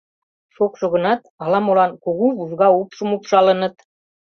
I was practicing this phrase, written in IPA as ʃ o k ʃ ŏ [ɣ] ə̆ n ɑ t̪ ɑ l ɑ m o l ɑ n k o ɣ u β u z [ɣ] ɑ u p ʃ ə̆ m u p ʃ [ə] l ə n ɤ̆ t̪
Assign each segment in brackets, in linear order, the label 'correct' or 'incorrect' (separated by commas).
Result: correct, correct, incorrect